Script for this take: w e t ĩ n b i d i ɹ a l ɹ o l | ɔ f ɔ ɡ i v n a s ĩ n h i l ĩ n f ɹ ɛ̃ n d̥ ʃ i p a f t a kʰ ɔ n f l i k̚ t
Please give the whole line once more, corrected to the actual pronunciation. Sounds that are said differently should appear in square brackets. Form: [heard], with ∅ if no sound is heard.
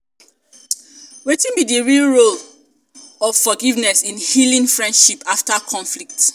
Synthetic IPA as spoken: w e t ĩ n b i d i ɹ [i] l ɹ o l | ɔ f ɔ ɡ i v n [ɛ] s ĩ n h i l ĩ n f ɹ ɛ̃ n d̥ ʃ i p a f t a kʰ [ɔ̃] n f l i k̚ t